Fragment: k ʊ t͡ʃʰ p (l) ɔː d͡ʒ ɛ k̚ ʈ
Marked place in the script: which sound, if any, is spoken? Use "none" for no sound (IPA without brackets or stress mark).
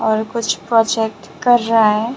ɾ